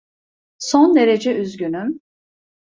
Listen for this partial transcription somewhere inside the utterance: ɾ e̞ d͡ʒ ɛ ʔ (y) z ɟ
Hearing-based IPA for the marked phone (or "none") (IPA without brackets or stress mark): y